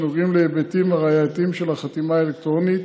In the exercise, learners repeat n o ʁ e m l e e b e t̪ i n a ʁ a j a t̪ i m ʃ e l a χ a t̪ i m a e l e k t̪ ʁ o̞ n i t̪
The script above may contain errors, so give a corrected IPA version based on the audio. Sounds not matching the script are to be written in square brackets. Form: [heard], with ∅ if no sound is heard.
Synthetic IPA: n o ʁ [i] m l e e b e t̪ i [m] a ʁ a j a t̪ i m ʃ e l a χ a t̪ i m a e l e k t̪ ʁ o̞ n i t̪